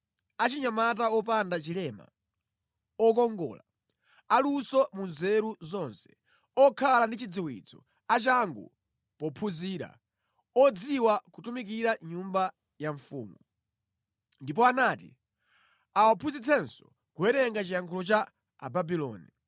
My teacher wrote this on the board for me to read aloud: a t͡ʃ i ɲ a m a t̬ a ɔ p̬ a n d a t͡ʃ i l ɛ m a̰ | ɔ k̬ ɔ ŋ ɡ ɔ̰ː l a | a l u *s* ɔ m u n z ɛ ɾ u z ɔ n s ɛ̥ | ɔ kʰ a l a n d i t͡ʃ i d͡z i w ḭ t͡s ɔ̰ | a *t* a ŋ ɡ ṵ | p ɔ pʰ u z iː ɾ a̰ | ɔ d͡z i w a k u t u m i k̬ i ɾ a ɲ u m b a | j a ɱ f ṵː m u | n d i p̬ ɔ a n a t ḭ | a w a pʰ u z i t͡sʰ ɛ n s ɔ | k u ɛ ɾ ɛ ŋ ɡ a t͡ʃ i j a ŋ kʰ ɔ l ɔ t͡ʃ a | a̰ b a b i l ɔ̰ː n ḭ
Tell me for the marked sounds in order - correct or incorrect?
correct, incorrect: t͡ʃ

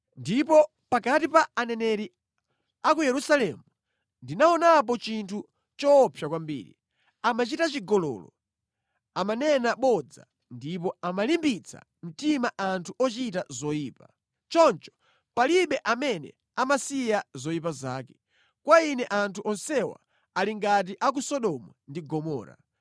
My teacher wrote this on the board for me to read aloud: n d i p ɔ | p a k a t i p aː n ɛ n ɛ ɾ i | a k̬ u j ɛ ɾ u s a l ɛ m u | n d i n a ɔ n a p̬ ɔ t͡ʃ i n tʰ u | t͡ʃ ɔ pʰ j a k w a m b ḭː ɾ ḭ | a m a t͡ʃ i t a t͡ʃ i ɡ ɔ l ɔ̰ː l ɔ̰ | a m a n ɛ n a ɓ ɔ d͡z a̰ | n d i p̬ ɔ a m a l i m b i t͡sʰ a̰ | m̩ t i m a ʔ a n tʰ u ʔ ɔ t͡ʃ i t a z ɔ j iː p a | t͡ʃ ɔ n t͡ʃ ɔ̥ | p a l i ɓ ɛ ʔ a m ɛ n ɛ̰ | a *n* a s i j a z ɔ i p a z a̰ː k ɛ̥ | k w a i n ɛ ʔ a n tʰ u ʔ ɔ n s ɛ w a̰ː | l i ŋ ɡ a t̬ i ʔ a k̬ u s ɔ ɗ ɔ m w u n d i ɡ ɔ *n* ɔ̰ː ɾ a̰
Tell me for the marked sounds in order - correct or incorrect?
incorrect: m, incorrect: m

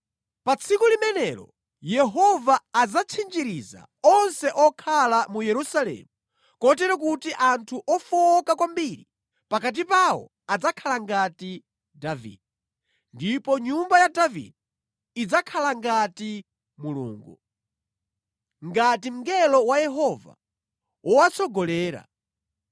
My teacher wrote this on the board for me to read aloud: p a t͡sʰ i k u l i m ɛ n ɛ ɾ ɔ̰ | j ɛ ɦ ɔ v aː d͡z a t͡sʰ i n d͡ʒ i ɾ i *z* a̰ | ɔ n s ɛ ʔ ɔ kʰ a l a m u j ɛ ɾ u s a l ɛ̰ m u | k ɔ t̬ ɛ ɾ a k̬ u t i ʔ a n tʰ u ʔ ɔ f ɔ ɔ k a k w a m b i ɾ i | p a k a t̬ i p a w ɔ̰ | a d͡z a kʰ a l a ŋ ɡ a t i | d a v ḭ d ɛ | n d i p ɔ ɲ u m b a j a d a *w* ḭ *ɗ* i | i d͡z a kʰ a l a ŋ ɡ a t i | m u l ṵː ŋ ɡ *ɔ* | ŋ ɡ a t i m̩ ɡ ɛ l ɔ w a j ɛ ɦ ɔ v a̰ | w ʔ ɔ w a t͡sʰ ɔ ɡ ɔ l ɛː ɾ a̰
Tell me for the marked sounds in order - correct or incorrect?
correct, incorrect: v, incorrect: d, incorrect: u

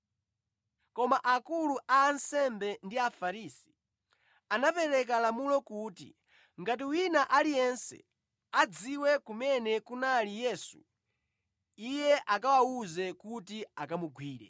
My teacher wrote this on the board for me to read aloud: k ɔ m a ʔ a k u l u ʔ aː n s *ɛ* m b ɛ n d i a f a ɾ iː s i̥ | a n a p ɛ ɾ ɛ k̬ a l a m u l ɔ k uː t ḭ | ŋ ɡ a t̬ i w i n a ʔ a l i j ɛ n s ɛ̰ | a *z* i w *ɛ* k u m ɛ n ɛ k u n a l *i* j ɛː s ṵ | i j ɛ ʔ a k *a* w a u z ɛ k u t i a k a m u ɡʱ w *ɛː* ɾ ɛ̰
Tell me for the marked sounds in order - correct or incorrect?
correct, incorrect: d͡z, correct, correct, correct, incorrect: iː

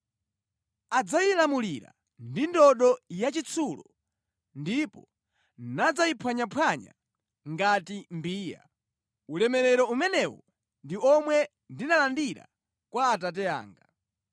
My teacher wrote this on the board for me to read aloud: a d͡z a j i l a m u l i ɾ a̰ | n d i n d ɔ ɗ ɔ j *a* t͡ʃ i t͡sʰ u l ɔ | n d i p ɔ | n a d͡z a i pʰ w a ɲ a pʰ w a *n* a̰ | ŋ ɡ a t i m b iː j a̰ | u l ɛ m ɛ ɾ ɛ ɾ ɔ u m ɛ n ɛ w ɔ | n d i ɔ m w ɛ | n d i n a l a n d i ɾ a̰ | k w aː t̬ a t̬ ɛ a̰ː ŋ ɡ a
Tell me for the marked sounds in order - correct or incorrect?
correct, incorrect: ɲ

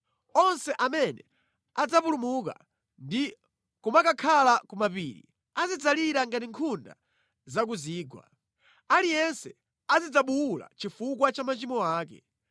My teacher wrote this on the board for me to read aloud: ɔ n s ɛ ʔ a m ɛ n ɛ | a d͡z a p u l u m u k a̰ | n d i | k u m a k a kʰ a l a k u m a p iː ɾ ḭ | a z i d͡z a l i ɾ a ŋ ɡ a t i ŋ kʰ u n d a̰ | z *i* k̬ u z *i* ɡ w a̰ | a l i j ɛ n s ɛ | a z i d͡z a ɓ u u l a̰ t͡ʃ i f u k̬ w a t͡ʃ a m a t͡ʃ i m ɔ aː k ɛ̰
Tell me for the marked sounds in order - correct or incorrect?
incorrect: a, incorrect: iː

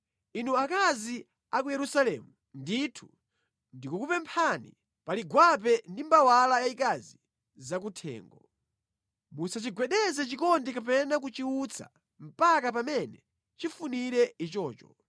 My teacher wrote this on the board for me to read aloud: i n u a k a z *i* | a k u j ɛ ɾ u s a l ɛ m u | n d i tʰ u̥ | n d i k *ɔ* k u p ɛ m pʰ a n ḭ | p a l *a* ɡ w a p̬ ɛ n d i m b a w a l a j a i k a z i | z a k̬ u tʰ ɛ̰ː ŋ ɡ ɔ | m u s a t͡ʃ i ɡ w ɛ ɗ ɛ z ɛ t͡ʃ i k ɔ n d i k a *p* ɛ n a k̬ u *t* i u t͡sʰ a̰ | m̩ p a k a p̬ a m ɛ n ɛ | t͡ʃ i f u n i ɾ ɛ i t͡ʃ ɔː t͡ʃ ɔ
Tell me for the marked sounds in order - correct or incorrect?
correct, incorrect: u, incorrect: i, correct, incorrect: t͡ʃ

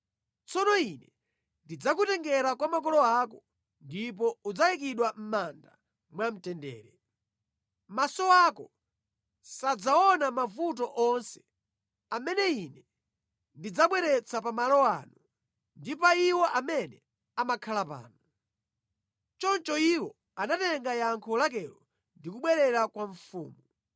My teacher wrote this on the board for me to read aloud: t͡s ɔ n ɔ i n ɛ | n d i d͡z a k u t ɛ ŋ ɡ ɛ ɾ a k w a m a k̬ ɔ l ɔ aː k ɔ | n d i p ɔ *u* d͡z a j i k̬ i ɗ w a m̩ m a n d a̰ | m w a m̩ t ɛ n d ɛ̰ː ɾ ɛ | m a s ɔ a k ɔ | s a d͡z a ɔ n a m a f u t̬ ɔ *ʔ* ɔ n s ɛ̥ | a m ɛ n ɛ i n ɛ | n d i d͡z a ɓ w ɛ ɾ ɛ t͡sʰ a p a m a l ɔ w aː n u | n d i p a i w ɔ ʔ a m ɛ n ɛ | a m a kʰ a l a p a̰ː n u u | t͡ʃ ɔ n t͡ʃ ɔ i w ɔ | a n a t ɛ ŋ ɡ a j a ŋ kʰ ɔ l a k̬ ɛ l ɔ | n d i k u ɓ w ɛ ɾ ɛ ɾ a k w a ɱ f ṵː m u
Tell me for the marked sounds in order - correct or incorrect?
correct, correct

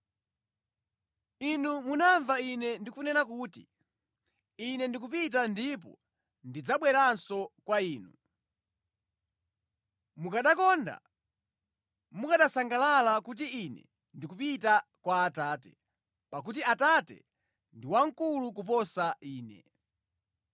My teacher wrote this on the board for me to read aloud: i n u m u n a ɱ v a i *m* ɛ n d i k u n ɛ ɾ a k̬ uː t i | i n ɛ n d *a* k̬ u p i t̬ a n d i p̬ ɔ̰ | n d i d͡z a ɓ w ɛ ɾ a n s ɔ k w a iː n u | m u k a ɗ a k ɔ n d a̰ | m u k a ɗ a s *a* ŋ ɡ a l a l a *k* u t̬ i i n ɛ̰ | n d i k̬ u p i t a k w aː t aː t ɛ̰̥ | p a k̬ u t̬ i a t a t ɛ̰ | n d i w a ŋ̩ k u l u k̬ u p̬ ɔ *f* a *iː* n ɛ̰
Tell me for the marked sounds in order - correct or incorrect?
incorrect: n, incorrect: i, correct, correct, incorrect: s, correct

